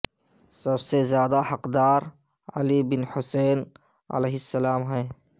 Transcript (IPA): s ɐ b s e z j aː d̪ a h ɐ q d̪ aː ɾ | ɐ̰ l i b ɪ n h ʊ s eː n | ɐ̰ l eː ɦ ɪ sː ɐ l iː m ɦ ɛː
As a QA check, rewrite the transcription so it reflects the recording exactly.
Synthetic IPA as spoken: s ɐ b s e z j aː d̪ a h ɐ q d̪ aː ɾ | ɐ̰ l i b ɪ n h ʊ s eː n | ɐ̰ l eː ɦ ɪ sː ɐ l aː m ɦ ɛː